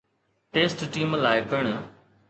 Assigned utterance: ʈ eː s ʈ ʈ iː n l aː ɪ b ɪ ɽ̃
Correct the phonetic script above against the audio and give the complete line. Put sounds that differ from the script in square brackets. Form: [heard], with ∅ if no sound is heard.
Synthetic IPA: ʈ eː s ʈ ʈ iː [m] l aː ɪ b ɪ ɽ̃